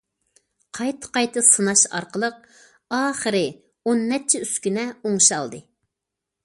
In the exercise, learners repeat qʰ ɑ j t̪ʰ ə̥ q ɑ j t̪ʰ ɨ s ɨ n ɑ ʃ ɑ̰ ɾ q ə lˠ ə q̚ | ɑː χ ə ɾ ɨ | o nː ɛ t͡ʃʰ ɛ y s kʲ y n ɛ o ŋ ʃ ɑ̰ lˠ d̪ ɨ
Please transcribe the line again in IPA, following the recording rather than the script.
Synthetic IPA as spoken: qʰ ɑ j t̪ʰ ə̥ q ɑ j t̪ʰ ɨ s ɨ n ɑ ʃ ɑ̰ ɾ q ə lˠ ə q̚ | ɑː χ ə ɾ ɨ | o nː ɛ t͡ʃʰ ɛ y s kʲ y n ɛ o ŋ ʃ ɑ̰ lˠ d̪ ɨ